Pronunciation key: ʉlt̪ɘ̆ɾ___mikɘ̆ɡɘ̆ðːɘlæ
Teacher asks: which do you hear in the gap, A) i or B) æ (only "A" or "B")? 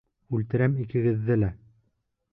B